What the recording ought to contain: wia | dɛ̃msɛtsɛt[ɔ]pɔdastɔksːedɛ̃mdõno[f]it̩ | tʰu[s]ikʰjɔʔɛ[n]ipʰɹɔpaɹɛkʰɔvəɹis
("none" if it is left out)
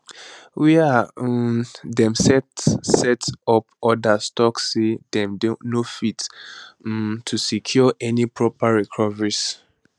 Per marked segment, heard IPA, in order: ɔ, f, s, n

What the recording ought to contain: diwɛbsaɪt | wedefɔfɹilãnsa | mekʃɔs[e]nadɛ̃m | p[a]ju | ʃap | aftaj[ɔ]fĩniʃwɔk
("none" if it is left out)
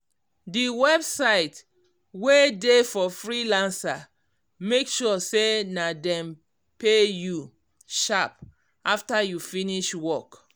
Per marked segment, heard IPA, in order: e, e, u

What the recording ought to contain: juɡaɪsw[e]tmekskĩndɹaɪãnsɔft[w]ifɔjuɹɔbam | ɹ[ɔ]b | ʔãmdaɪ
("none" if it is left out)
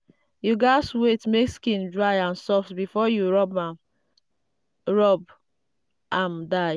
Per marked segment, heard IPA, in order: e, b, ɔ

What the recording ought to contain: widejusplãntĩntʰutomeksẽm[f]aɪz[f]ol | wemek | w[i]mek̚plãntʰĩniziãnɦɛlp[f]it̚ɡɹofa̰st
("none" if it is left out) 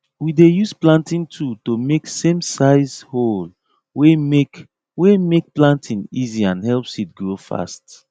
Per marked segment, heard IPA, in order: s, h, e, s

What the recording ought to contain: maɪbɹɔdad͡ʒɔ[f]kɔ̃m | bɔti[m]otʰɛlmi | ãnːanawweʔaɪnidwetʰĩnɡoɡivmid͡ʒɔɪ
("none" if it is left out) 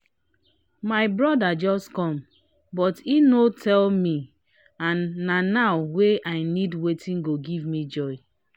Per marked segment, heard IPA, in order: s, n

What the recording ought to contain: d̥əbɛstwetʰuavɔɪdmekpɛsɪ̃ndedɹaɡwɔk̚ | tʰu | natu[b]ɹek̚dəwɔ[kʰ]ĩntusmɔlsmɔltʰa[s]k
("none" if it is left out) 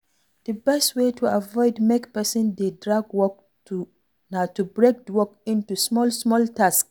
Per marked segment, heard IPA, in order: b, k, s

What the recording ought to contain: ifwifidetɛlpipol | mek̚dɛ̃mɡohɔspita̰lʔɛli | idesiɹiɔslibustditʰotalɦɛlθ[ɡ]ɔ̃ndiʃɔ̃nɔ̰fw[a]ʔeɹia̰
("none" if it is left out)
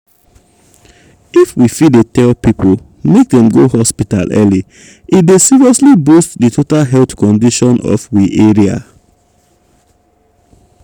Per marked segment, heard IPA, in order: k, i

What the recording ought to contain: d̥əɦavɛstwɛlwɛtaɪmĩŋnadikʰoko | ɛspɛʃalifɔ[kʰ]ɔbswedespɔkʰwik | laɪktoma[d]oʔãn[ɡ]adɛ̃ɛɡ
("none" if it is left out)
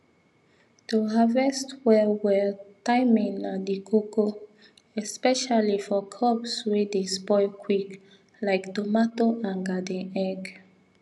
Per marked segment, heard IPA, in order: kʰ, t, ɡ

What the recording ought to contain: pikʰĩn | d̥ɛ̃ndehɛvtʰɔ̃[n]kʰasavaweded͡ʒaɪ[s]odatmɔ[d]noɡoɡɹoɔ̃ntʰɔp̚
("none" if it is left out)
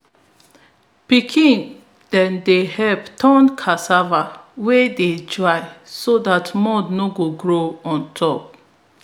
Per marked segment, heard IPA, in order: n, s, d

